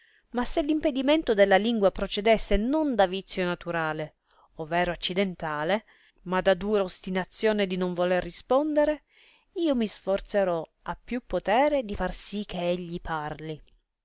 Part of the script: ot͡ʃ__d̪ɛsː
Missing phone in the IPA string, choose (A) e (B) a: A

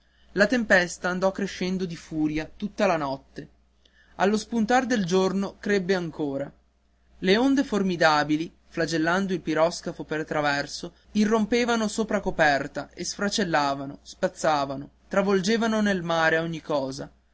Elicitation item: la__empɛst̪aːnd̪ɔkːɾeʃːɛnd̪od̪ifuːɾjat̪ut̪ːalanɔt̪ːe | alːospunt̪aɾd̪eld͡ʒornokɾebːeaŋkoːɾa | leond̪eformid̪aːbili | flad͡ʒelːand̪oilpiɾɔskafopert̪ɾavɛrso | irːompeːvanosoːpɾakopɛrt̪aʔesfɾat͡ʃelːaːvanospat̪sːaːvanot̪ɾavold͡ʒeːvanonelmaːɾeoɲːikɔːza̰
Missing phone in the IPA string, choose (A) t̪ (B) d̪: A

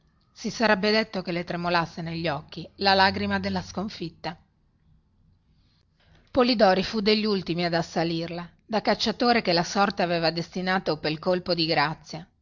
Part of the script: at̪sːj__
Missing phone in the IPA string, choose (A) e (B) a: B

